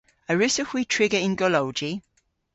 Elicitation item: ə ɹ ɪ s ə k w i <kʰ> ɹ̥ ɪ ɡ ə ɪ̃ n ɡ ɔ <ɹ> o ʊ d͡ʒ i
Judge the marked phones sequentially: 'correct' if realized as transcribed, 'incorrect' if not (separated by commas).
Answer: incorrect, incorrect